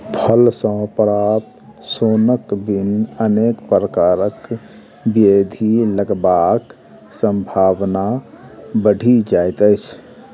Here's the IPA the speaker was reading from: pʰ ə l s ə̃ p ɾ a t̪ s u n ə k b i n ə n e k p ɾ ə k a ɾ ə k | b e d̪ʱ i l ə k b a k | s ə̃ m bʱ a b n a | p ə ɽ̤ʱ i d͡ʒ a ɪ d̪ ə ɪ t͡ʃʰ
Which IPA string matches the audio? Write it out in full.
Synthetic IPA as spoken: pʰ ə l s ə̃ p ɾ a t̪ s o n ə k b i n ə n e k p ɾ ə k a ɾ ə k | b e d̪ʱ i l ə ɡ b a k | s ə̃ m bʱ a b n a | b ə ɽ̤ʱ i d͡ʒ a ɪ t̪ ə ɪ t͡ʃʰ

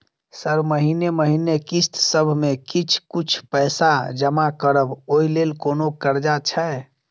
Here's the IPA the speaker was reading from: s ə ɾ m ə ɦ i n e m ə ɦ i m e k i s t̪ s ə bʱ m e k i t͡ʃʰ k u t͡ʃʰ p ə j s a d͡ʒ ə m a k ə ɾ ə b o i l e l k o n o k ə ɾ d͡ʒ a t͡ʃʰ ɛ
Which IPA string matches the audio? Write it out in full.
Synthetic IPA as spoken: s ə ɾ m ə ɦ i n e m ə ɦ i n e k i s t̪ s ə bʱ m e k i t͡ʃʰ k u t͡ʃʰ p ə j s a d͡ʒ ə m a k ə ɾ ə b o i l e l k o n o k ə ɾ d͡ʒ a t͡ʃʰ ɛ

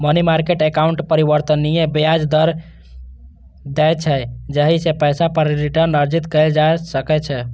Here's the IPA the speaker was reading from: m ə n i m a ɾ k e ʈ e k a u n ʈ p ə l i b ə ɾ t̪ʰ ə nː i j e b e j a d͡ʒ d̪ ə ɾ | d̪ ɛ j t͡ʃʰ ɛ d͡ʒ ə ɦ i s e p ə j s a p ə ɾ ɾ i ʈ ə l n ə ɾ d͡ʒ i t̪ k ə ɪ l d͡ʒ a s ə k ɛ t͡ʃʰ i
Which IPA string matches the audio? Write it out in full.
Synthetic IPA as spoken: m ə n i m a ɾ k e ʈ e k a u ɳ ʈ p ə ɾ i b ə ɾ t̪ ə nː i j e b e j a d͡ʒ d̪ ə ɾ | d̪ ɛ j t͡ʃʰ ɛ d͡ʒ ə ɦ i s e p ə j s a p ə ɾ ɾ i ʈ ə ɾ n ə ɾ d͡ʒ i t̪ k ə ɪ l d͡ʒ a s ə k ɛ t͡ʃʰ ɛ

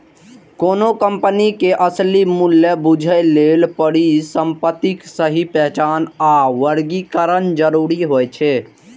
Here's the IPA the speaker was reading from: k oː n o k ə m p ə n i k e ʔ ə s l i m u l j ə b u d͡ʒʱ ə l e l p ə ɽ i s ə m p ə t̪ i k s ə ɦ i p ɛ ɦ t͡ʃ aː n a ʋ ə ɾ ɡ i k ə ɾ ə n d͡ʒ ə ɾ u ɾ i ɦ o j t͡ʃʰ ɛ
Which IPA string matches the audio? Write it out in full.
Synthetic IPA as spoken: k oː n o k ə m p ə n i k e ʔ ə s l i m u l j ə b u d͡ʒʱ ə l e l p ə ɽ i s ə m p ə t̪ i k s ə ɦ i p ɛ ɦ t͡ʃ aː n a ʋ ə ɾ ɡ i k ə ɾ ə n d͡ʒ ə ɾ u ɾ i ɦ o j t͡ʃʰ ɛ

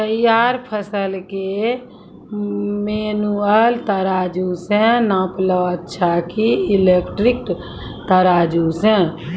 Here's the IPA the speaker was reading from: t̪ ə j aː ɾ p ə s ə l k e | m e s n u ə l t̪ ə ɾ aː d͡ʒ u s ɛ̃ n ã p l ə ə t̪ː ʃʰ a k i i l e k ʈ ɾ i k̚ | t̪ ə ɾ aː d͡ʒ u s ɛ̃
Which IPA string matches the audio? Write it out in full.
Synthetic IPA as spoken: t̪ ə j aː ɾ pʰ ə s ə l k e | m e n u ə l t̪ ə ɾ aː d͡ʒ u s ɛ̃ n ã p l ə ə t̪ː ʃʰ a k i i l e k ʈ ɾ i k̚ | t̪ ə ɾ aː d͡ʒ u s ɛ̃

